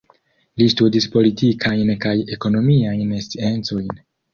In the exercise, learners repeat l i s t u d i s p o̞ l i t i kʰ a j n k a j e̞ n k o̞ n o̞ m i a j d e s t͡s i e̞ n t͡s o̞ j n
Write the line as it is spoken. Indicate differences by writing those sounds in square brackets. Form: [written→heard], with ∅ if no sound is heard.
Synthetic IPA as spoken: l i s t u d i s p o̞ l i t i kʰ a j n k a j e̞ [n→∅] k o̞ n o̞ m i a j [d→n] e s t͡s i e̞ n t͡s o̞ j n